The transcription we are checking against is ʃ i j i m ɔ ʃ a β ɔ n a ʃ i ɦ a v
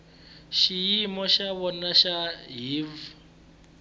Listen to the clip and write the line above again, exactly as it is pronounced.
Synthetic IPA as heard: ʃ i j i m ɔ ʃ a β ɔ n a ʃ a ɦ i v